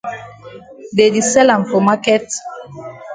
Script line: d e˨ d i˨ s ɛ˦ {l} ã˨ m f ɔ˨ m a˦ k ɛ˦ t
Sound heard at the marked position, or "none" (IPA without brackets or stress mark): l